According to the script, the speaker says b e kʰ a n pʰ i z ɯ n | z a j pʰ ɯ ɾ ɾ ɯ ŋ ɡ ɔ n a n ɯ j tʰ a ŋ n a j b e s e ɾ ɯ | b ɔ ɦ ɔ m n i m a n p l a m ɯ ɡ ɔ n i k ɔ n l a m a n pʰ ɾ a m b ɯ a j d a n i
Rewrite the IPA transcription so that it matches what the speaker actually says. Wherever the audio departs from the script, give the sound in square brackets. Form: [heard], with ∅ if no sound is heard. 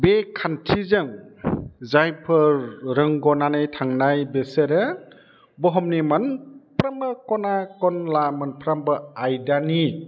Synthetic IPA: b e kʰ a n [tʰ] i z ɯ [ŋ] | z a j pʰ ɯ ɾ ɾ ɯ ŋ ɡ ɔ n a n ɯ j tʰ a ŋ n a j b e s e ɾ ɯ | b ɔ ɦ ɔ m n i m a n p [ɾ] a m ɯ [k] ɔ n [a] k ɔ n l a m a n pʰ ɾ a m b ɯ a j d a n i